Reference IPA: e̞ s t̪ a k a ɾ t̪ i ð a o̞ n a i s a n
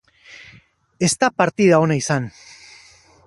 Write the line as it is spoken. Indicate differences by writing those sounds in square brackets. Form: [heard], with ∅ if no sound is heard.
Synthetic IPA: e̞ s t̪ a [p] a ɾ t̪ i ð a o̞ n a i s a n